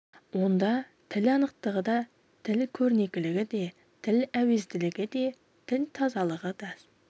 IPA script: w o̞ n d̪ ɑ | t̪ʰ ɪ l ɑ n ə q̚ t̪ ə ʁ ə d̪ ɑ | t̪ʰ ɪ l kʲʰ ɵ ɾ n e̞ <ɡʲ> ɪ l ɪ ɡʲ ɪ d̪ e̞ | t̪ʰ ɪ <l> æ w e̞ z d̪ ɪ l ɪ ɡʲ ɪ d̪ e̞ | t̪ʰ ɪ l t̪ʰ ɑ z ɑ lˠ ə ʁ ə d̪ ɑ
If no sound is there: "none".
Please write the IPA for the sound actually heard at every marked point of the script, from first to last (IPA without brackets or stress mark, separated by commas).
kʲ, l